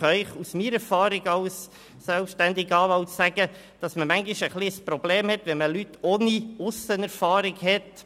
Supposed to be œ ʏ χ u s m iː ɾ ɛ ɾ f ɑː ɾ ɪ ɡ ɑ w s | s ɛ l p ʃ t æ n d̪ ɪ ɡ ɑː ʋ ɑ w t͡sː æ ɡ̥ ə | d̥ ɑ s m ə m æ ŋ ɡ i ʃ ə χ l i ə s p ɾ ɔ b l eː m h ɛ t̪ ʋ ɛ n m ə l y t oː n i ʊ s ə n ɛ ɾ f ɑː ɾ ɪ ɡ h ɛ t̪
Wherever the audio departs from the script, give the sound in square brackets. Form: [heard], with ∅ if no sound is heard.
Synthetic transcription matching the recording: œ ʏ χ u s m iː ɾ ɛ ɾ f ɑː ɾ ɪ ɡ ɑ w s | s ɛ l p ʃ t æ n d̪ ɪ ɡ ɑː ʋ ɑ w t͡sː æ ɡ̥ ə | d̥ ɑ s m ə m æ ŋ ɡ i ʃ ə χ l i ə s p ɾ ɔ b l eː m h ɛ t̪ ʋ ɛ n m ə l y t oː n i ʊ s ə n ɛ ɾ f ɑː ɾ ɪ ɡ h ɛ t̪